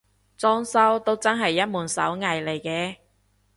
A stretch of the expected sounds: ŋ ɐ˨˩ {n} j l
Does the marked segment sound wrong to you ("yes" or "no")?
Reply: yes